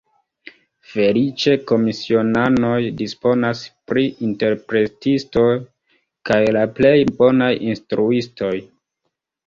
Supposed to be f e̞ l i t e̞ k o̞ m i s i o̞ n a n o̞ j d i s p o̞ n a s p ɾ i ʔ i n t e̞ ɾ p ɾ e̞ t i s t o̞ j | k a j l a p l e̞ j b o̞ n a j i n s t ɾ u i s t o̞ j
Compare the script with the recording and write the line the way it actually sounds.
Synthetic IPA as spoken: f e̞ l i t͡ʃ e̞ k o̞ m i s i o̞ n a n o̞ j d i s p o̞ n a s p ɾ i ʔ i n t e̞ ɾ p ɾ e̞ t i s t o̞ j | k a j l a p l e̞ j b o̞ n a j i n s t ɾ u i s t o̞ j